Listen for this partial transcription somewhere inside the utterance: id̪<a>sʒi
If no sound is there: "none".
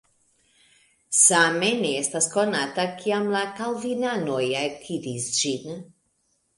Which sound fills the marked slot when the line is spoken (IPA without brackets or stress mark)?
i